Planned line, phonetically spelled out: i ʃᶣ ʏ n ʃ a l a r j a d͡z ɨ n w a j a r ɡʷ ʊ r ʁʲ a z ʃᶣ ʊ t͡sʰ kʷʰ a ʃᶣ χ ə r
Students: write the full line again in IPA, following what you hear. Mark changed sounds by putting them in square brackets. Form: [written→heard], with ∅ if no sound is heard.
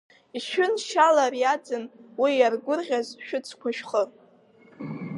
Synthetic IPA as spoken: i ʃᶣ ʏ n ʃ a l a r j a d͡z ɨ n w [a→i] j a r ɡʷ ʊ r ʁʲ a z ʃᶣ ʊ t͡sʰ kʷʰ a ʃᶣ χ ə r